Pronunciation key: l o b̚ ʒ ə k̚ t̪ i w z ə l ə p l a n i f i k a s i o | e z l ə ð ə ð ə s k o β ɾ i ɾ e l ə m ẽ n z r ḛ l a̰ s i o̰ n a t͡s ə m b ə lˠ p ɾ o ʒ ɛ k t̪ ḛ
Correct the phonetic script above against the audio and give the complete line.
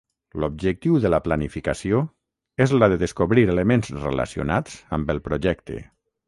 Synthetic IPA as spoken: l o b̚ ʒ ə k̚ t̪ i w ð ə l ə p l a n i f i k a s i o | e z l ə ð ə ð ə s k o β ɾ i ɾ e l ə m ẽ n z r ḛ l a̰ s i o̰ n a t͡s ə m b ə lˠ p ɾ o ʒ ɛ k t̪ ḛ